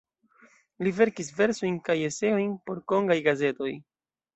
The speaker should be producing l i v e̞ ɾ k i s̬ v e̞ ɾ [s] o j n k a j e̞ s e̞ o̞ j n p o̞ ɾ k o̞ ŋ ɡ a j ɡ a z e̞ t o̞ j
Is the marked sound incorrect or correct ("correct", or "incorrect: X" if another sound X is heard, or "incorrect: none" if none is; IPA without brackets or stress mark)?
correct